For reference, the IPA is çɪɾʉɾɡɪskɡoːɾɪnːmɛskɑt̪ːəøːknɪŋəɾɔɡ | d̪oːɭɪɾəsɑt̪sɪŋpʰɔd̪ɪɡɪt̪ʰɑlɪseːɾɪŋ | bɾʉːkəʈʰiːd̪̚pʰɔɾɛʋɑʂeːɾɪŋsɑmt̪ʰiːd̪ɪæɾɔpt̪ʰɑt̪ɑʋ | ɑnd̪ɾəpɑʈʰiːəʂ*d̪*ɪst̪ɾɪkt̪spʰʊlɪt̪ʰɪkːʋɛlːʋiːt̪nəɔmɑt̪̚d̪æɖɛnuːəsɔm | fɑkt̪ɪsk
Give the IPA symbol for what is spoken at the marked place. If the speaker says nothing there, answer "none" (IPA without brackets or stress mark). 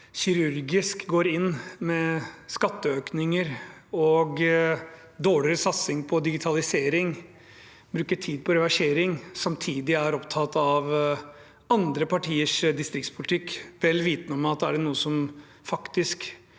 d̪